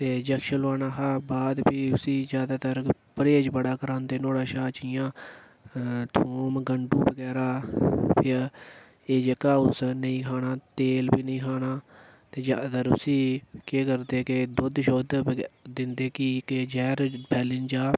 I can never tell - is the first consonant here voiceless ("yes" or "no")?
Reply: yes